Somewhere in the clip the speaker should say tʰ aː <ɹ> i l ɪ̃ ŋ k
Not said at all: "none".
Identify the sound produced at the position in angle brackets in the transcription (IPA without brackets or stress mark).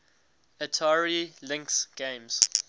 ɹ